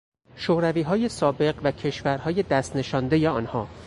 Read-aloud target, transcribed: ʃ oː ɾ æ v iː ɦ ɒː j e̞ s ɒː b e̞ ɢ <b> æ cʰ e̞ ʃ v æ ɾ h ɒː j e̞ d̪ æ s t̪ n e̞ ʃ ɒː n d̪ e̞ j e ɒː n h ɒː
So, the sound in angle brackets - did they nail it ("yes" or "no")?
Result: no